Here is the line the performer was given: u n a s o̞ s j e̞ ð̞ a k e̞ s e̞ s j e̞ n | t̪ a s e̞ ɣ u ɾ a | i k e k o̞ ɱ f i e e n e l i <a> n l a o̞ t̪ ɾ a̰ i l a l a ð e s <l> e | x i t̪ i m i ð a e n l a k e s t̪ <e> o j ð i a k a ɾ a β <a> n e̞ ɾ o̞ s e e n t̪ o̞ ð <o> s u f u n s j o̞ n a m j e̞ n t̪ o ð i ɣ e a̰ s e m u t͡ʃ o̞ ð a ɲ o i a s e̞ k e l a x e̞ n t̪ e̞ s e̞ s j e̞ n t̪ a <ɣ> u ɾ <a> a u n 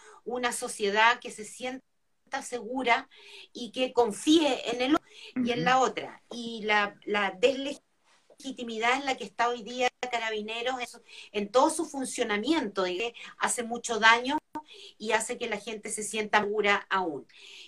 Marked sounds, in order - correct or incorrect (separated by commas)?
incorrect, correct, incorrect, incorrect, correct, correct, correct